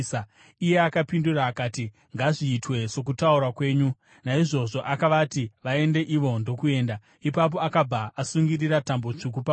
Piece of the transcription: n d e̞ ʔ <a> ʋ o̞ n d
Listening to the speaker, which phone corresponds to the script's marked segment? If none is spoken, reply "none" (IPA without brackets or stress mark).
i